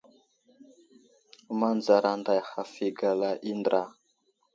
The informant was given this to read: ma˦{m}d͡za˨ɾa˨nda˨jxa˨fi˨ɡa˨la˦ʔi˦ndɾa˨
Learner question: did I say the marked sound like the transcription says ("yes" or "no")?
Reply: no